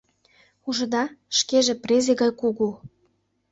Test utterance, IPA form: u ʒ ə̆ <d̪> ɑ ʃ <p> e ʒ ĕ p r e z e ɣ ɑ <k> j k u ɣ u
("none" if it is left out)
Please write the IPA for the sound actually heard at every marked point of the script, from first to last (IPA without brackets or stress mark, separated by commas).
d̪, k, none